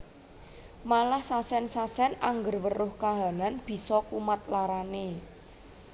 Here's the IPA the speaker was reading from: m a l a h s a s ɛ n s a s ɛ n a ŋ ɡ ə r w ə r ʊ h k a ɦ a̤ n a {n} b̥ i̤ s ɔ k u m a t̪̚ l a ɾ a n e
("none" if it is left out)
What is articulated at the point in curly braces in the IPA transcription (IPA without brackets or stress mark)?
n